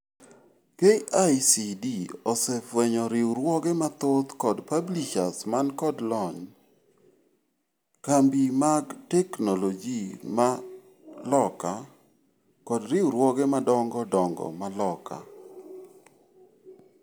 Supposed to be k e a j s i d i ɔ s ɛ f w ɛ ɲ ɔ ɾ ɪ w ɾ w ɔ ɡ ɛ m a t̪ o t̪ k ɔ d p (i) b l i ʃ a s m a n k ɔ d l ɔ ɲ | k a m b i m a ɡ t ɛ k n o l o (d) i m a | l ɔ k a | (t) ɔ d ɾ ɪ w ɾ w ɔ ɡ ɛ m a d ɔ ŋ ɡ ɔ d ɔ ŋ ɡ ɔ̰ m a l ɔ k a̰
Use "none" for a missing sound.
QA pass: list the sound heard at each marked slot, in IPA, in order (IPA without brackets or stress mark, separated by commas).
a, d͡ʒ, k